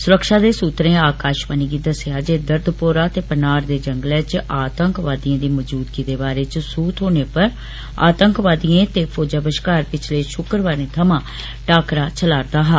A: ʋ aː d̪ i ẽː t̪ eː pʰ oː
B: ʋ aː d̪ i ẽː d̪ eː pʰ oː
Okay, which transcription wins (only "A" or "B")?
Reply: A